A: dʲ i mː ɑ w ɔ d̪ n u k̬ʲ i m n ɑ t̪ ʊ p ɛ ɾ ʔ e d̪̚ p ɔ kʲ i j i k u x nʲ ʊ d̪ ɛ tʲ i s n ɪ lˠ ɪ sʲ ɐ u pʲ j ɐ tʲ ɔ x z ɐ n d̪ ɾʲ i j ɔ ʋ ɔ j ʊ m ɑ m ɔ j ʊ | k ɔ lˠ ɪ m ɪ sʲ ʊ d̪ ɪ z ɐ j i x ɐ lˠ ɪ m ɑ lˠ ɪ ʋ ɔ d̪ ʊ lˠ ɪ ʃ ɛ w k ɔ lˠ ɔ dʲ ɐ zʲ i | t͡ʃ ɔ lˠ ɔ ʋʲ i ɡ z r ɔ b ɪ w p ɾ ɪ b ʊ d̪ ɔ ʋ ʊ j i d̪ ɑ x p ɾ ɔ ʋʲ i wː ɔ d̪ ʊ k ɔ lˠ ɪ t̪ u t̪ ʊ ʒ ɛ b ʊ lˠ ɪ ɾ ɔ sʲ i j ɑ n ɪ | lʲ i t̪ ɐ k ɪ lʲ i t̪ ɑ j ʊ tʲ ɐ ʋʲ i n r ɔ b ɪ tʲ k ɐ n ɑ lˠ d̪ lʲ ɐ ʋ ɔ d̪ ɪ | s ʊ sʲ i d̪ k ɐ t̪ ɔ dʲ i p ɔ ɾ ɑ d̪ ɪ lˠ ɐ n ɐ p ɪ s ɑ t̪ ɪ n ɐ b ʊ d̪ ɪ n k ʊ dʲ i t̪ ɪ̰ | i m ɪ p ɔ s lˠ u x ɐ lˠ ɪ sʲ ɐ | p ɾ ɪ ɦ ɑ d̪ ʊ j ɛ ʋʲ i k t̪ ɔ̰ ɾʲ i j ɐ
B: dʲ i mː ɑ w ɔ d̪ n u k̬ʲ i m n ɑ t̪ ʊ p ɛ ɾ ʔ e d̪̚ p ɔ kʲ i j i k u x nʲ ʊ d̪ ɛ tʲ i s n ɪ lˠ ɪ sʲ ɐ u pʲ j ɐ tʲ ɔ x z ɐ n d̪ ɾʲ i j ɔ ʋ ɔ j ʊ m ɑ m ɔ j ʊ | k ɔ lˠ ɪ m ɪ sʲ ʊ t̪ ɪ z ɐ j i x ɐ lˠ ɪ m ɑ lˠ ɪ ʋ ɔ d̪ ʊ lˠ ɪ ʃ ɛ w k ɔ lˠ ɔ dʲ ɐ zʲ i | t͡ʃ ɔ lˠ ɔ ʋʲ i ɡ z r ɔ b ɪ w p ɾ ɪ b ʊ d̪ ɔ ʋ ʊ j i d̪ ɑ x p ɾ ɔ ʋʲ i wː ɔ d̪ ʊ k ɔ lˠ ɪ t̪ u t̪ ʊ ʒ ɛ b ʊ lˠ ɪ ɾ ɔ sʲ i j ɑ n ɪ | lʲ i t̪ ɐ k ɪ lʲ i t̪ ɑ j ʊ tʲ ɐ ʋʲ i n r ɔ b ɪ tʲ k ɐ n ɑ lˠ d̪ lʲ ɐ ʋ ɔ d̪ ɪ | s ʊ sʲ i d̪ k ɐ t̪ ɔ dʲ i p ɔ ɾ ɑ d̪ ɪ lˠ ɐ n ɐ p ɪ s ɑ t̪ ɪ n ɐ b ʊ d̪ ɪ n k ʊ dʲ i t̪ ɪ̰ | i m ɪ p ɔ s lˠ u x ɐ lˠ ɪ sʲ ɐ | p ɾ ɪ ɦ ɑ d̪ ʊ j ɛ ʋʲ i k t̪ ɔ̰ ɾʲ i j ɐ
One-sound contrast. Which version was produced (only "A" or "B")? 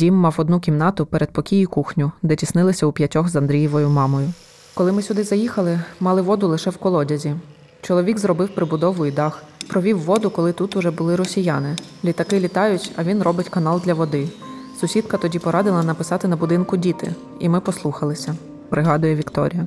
A